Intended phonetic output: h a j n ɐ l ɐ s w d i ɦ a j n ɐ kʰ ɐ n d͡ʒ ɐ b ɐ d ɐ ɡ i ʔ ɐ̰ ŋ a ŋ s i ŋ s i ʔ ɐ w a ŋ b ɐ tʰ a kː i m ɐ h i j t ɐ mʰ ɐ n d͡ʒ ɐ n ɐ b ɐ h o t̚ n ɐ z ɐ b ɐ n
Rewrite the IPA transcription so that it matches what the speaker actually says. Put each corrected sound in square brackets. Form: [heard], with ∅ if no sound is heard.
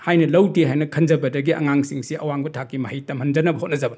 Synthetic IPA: h a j n ɐ l ɐ [∅] w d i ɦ a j n ɐ kʰ ɐ n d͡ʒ ɐ b ɐ d ɐ ɡ i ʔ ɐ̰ ŋ a ŋ s i ŋ s i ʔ ɐ w a ŋ b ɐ tʰ a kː i m ɐ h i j t ɐ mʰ ɐ n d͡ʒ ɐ n ɐ b ɐ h o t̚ n ɐ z ɐ b ɐ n